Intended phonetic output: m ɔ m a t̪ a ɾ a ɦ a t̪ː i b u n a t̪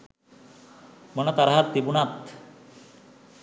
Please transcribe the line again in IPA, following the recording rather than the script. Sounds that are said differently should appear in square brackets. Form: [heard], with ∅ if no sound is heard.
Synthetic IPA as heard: m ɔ [n] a t̪ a ɾ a ɦ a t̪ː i b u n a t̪